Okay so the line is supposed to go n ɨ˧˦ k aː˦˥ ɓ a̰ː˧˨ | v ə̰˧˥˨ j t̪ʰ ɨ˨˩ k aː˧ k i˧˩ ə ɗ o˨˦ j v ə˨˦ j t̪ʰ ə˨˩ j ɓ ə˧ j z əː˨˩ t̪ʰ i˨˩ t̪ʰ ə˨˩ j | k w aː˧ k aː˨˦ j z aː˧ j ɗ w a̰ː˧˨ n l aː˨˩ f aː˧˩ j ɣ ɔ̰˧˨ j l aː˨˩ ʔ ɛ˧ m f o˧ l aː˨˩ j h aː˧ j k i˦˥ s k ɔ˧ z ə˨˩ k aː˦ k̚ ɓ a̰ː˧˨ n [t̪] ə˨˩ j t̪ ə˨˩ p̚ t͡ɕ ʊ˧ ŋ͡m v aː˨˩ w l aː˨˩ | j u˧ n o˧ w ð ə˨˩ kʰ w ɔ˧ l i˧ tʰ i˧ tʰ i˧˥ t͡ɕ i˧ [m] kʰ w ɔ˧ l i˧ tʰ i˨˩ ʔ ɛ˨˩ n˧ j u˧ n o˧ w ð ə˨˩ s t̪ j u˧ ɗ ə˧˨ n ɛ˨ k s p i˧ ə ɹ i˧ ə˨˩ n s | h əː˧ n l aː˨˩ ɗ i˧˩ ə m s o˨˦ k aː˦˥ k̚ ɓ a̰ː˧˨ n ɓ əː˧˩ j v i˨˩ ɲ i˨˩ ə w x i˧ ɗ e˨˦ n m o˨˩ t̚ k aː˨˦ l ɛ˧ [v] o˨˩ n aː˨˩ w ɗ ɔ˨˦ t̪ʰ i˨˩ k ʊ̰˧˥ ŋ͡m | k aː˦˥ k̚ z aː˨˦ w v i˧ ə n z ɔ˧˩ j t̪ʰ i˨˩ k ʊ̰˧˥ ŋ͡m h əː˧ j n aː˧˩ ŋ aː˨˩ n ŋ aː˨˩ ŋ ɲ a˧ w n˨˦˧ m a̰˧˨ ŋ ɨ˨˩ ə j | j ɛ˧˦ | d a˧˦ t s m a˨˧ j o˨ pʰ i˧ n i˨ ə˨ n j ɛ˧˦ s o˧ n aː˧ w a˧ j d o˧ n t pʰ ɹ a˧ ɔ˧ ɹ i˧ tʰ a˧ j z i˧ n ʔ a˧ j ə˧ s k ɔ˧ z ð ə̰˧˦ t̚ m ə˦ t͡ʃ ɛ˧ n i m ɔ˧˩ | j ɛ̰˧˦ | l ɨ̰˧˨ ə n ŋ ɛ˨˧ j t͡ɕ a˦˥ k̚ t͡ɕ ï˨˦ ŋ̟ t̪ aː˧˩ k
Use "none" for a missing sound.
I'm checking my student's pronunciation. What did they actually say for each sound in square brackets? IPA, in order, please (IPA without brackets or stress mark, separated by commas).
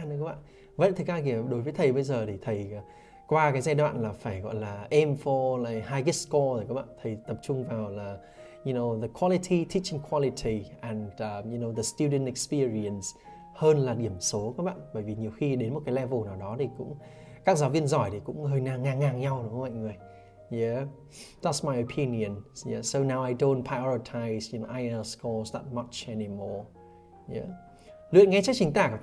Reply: t̪ʰ, ŋ, v